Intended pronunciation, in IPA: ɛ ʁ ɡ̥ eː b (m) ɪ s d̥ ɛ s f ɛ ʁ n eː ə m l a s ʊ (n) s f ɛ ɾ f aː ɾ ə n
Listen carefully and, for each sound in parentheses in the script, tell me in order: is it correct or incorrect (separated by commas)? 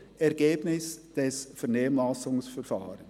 incorrect, incorrect